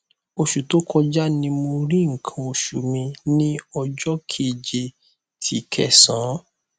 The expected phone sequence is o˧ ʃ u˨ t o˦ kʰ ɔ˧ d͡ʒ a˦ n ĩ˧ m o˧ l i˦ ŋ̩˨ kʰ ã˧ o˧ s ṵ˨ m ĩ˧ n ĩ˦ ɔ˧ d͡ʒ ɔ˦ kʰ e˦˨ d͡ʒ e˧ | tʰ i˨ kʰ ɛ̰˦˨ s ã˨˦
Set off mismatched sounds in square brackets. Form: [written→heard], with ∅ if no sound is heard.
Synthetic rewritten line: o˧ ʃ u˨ t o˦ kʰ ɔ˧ d͡ʒ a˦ n ĩ˧ m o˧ [l→ɾ] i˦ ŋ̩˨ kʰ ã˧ o˧ [s→ʃ] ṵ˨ m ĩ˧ n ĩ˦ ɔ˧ d͡ʒ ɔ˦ kʰ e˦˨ d͡ʒ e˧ | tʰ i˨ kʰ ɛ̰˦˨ s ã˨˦